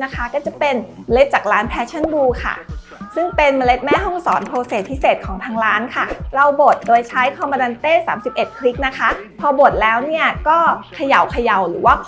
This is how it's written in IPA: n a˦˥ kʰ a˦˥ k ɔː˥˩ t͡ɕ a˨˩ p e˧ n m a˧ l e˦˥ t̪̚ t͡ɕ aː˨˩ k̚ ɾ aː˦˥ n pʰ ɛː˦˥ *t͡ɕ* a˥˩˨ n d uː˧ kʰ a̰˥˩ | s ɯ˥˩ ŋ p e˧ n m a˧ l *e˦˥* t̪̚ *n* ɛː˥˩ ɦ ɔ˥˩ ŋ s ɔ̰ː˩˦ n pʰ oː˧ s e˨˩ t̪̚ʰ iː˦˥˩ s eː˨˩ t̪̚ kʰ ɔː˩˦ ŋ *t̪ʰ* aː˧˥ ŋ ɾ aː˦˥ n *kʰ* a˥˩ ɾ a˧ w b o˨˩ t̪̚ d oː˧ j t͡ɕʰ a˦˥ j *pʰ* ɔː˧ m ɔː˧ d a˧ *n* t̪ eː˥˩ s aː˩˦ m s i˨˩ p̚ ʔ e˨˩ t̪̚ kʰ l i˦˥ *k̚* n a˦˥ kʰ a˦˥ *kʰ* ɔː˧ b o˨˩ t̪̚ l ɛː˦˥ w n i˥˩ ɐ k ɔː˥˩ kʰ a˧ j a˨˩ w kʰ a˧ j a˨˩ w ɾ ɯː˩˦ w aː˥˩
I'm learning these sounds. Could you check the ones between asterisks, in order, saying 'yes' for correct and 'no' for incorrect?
no, yes, no, yes, yes, no, yes, yes, no

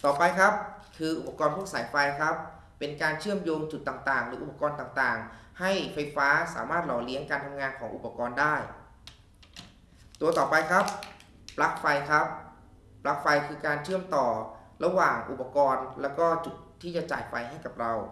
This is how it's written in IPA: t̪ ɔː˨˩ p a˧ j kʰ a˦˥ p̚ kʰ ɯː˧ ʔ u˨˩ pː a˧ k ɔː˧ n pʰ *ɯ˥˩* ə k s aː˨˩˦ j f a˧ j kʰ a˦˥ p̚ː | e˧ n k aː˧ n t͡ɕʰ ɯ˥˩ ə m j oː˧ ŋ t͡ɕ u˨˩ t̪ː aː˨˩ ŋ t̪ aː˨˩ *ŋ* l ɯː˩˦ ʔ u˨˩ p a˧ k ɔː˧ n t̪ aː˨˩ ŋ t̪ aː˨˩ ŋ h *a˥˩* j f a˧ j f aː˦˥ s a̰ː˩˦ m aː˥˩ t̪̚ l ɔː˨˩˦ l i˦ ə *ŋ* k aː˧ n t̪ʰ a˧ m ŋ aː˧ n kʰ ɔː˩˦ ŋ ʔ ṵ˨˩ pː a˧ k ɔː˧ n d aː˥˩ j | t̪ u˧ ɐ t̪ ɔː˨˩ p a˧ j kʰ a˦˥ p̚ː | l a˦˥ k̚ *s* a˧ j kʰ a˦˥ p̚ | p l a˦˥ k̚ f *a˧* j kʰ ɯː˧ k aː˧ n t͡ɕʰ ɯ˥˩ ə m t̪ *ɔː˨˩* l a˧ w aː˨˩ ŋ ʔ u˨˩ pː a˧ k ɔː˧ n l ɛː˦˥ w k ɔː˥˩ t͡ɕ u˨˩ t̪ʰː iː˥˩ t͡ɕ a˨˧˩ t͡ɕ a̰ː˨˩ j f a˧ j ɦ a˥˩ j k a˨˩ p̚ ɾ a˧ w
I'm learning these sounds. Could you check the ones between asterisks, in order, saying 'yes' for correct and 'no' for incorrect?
no, yes, yes, yes, no, yes, yes

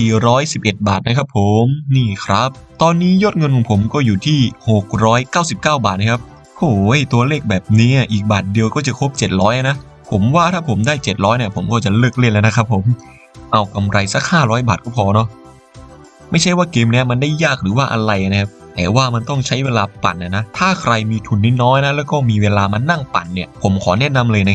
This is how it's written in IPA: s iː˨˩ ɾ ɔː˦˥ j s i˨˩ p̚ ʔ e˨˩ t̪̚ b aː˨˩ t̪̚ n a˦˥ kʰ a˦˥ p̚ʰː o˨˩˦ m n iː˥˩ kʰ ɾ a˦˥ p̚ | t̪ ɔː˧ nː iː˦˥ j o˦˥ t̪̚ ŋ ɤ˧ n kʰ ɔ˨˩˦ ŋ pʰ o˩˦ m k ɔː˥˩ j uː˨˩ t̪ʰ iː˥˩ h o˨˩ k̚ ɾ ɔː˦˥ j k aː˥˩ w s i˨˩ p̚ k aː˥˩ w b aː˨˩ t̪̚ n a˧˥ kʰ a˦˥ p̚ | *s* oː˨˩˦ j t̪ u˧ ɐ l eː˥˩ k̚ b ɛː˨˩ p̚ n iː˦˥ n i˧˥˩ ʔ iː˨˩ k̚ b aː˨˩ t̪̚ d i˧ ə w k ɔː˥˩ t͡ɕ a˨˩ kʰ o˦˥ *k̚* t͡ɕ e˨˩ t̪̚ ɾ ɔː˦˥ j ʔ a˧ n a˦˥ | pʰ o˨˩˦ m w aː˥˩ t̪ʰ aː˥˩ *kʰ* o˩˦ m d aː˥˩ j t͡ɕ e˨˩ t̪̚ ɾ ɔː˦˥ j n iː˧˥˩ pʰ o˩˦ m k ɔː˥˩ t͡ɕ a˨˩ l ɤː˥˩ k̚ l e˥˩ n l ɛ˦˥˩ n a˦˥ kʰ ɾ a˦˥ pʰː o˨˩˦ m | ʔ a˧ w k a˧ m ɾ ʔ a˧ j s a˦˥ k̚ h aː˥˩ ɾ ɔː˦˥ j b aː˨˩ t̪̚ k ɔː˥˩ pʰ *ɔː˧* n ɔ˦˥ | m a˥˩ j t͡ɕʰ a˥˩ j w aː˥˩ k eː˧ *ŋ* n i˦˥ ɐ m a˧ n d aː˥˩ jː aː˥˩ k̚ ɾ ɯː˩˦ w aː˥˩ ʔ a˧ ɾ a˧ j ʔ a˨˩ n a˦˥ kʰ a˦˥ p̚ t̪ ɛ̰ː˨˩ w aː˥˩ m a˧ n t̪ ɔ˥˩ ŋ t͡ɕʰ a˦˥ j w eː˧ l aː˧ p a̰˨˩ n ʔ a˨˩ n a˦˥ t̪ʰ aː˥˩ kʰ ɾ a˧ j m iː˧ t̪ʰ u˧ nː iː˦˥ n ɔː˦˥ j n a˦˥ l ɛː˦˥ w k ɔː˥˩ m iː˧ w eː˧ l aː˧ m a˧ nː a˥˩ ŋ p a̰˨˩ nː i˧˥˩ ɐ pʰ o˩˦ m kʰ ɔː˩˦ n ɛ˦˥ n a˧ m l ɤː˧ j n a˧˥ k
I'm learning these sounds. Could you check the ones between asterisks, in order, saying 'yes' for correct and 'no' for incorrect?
no, no, no, yes, no

